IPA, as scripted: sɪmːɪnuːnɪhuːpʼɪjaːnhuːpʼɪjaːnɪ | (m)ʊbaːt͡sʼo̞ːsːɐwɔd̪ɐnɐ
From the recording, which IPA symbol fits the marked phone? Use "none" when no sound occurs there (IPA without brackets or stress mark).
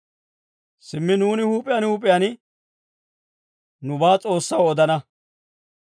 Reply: n